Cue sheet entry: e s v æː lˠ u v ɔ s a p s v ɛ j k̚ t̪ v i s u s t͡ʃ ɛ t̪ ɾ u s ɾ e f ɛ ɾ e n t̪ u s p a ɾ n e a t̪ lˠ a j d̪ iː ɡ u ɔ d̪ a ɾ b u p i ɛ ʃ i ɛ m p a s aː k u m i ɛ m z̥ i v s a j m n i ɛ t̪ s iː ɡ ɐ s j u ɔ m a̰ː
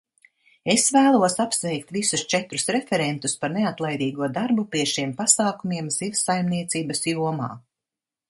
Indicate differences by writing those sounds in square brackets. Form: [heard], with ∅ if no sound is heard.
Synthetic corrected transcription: e s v æː lˠ u [∅] ɔ s a p s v ɛ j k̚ t̪ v i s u s t͡ʃ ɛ t̪ ɾ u s ɾ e f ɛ ɾ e n t̪ u s p a ɾ n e a t̪ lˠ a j d̪ iː ɡ u ɔ d̪ a ɾ b u p i ɛ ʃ i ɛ m p a s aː k u m i ɛ m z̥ i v s a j m n i ɛ t̪ s iː [b] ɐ s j u ɔ m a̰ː